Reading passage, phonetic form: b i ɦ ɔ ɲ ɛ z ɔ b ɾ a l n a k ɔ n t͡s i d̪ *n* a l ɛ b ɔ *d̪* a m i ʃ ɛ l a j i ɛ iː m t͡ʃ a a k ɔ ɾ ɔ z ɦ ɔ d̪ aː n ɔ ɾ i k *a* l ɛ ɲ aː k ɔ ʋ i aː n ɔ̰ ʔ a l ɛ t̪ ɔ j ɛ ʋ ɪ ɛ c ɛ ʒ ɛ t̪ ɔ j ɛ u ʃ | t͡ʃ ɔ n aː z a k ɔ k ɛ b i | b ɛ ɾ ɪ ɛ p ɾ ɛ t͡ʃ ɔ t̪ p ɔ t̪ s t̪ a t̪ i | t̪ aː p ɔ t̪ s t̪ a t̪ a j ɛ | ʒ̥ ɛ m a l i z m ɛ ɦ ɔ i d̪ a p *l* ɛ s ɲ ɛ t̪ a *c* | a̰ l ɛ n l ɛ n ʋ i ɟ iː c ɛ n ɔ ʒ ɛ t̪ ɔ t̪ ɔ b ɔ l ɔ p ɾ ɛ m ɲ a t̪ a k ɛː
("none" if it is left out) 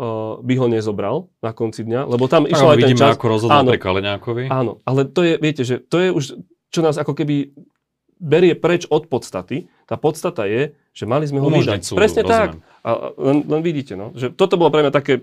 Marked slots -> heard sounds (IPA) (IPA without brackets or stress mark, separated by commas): ɲ, t̪, a, ɾ, k